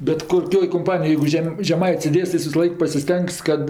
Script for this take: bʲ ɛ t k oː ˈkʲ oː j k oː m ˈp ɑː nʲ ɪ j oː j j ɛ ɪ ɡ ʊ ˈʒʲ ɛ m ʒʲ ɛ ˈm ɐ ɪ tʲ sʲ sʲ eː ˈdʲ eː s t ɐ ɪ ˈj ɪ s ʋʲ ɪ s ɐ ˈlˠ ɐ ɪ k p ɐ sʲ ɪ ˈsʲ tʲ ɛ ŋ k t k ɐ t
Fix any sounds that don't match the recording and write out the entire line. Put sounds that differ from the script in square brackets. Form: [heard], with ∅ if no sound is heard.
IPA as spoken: bʲ ɛ t k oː ˈkʲ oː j k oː m ˈp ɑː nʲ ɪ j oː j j ɛ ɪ ɡ ʊ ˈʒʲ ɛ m ʒʲ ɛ ˈm ɐ ɪ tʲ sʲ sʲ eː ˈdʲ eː s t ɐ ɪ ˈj ɪ s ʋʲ ɪ s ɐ ˈlˠ ɐ ɪ k p ɐ sʲ ɪ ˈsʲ tʲ ɛ ŋ k [s] k ɐ t

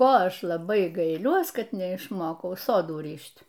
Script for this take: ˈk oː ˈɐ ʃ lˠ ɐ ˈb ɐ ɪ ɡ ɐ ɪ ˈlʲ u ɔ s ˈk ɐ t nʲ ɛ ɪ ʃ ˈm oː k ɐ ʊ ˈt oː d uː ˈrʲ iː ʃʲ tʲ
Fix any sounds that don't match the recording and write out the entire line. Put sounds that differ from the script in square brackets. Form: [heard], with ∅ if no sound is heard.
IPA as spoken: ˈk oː ˈɐ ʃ lˠ ɐ ˈb ɐ ɪ ɡ ɐ ɪ ˈlʲ u ɔ s ˈk ɐ t nʲ ɛ ɪ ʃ ˈm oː k ɐ ʊ [ˈs] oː d uː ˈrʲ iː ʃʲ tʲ

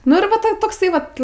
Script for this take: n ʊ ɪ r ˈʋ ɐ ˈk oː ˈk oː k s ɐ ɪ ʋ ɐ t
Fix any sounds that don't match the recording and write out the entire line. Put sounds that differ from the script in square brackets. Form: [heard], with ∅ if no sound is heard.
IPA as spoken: n ʊ ɪ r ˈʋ ɐ [ˈt] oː [ˈt] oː k s ɐ ɪ ʋ ɐ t

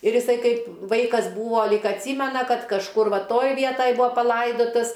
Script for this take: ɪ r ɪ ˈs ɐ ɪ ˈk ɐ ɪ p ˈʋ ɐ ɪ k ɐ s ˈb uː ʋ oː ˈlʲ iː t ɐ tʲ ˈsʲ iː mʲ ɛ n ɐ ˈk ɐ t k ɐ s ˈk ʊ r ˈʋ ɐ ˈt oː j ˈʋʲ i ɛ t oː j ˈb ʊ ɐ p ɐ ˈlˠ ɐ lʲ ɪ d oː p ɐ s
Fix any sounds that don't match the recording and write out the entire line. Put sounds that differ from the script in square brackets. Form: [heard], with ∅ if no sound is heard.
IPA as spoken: ɪ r ɪ ˈs ɐ ɪ ˈk ɐ ɪ p ˈʋ ɐ ɪ k ɐ s ˈb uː ʋ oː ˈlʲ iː [k] ɐ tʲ ˈsʲ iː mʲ ɛ n ɐ ˈk ɐ t k ɐ [ʃ] ˈk ʊ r ˈʋ ɐ ˈt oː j ˈʋʲ i ɛ t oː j ˈb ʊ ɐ p ɐ ˈlˠ ɐ [∅] ɪ d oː [t] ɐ s

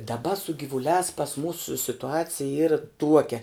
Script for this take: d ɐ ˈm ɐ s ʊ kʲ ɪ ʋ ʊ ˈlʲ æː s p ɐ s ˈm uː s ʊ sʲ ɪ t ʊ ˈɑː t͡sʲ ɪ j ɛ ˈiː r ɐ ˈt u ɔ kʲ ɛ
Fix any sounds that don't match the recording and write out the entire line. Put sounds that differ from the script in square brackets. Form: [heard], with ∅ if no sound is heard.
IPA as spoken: d ɐ [ˈb] ɐ s ʊ [ɡʲ] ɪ ʋ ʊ ˈlʲ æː s p ɐ s ˈm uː s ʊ sʲ ɪ t ʊ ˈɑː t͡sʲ ɪ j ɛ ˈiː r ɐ ˈt u ɔ kʲ ɛ

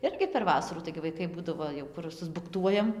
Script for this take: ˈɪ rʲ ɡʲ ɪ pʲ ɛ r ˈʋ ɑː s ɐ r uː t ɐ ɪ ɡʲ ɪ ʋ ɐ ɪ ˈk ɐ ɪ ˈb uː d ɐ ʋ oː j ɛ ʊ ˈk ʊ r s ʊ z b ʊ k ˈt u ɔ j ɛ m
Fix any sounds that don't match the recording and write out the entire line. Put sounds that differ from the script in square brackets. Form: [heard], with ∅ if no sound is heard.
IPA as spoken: ˈɪ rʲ ɡʲ ɪ pʲ ɛ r ˈʋ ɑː s ɐ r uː t ɐ ɪ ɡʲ ɪ ʋ ɐ ɪ ˈk ɐ ɪ ˈb uː d ɐ ʋ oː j ɛ ʊ ˈk ʊ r s ʊ z b ʊ k ˈt u ɔ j ɛ m

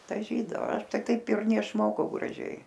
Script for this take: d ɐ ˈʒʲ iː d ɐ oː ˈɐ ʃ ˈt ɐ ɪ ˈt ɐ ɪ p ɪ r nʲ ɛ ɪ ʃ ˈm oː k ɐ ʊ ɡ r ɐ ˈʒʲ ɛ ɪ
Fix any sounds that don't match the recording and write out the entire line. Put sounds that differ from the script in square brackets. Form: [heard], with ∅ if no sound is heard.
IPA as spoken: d ɐ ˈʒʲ iː d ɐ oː ˈɐ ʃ ˈt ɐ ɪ ˈt ɐ ɪ p ɪ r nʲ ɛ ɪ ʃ ˈm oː k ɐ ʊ ɡ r ɐ ˈʒʲ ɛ ɪ

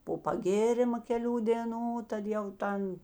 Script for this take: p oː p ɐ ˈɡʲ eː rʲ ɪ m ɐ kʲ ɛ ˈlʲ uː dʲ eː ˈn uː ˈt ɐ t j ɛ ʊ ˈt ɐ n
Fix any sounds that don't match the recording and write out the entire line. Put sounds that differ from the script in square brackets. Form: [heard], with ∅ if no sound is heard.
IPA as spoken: p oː p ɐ ˈɡʲ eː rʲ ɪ m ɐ kʲ ɛ ˈlʲ uː dʲ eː ˈn uː ˈt ɐ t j ɛ ʊ ˈt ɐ n

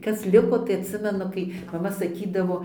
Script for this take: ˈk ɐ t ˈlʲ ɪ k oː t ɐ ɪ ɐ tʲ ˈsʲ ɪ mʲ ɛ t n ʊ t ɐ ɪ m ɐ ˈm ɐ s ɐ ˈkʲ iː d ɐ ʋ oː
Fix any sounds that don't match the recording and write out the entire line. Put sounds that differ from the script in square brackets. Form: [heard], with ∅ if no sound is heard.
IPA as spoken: ˈk ɐ [s] ˈlʲ ɪ k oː t ɐ ɪ ɐ tʲ ˈsʲ ɪ mʲ ɛ [∅] n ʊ [k] ɐ ɪ m ɐ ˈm ɐ s ɐ ˈkʲ iː d ɐ ʋ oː

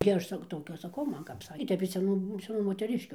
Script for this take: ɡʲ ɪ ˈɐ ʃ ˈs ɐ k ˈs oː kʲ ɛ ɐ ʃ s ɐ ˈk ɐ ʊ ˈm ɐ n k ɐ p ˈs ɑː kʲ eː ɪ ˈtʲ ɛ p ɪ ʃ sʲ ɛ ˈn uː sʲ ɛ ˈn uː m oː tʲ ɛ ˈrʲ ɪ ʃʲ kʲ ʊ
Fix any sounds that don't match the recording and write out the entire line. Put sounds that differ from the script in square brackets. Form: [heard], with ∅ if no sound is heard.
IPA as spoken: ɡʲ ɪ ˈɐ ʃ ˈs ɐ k [ˈt] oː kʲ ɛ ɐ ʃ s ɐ ˈk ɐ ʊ ˈm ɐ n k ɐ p ˈs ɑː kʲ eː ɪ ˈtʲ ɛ p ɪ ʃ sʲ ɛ ˈn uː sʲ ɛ ˈn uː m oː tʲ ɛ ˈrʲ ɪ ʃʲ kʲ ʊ

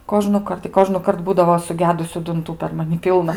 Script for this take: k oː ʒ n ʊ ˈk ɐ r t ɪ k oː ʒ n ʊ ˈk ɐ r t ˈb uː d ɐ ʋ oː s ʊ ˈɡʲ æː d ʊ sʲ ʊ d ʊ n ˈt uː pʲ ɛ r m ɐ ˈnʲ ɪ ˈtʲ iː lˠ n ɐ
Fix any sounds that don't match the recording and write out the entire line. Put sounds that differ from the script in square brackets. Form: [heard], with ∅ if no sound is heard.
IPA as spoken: k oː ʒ n ʊ ˈk ɐ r t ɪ k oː ʒ n ʊ ˈk ɐ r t ˈb uː d ɐ ʋ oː s ʊ ˈɡʲ æː d ʊ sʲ ʊ d ʊ n ˈt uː pʲ ɛ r m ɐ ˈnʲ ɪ [ˈpʲ] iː lˠ n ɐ

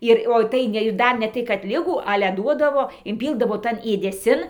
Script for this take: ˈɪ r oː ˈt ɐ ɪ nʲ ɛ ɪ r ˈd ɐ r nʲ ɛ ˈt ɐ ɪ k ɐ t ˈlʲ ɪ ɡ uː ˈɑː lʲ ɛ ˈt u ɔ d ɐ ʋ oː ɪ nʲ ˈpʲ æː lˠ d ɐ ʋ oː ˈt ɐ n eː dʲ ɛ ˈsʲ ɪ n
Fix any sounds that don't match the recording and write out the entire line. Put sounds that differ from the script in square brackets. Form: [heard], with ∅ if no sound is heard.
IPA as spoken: ˈɪ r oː ˈt ɐ ɪ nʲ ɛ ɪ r ˈd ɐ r nʲ ɛ ˈt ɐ ɪ k ɐ t ˈlʲ ɪ ɡ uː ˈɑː lʲ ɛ [ˈd] u ɔ d ɐ ʋ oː ɪ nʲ ˈpʲ [iː] lˠ d ɐ ʋ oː ˈt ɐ n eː dʲ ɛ ˈsʲ ɪ n

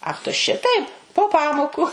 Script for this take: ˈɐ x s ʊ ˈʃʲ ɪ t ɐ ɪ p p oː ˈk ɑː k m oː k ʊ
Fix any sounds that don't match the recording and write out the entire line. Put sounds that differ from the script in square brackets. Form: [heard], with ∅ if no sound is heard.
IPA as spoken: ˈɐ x [t] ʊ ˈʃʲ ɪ t ɐ ɪ p p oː [ˈp] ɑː [∅] m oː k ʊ

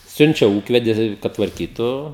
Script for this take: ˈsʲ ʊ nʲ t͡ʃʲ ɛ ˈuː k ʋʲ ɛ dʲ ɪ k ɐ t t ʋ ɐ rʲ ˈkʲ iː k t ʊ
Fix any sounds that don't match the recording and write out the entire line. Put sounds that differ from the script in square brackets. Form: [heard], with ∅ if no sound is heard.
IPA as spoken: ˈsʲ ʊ nʲ t͡ʃʲ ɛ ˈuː k ʋʲ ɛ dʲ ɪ k ɐ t t ʋ ɐ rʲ ˈkʲ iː [∅] t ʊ

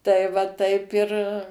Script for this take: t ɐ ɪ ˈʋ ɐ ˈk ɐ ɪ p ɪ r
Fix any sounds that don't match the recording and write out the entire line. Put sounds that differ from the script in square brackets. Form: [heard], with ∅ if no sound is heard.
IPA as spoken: t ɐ ɪ ˈʋ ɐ [ˈt] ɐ ɪ p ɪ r

